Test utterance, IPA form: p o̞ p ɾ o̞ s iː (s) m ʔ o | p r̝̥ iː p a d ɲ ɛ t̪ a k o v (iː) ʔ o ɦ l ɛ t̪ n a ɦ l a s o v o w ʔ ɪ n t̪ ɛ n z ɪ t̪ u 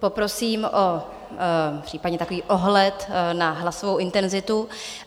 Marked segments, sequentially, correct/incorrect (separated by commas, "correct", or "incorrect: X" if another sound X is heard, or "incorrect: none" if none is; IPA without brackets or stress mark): incorrect: none, correct